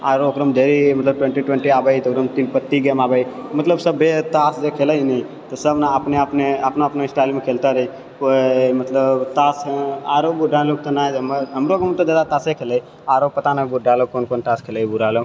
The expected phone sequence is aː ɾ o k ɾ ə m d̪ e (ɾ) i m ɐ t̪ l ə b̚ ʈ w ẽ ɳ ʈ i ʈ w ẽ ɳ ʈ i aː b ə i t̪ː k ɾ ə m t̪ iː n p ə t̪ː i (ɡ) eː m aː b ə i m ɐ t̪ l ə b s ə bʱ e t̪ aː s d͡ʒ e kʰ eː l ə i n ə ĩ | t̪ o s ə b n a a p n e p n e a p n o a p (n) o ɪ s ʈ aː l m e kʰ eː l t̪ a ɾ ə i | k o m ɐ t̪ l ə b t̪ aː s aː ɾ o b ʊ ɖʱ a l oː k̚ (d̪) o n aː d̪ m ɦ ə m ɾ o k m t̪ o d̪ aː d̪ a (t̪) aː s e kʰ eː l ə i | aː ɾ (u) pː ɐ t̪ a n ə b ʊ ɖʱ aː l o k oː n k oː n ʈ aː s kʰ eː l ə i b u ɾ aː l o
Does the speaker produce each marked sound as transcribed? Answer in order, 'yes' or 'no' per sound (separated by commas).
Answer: yes, yes, yes, no, yes, no